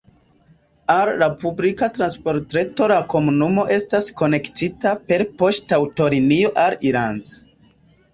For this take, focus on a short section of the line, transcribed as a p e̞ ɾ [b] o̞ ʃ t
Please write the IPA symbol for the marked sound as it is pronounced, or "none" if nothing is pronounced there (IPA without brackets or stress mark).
p